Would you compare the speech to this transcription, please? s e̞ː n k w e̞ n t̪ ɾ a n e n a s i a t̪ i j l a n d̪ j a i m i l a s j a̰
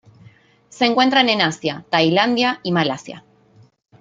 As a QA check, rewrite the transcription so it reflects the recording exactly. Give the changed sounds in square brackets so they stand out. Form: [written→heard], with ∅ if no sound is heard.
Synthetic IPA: s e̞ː [n→ŋ] k w e̞ n t̪ ɾ a n e n a s [i→j] a t̪ [i→a] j l a n d̪ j a i m [i→a] l a s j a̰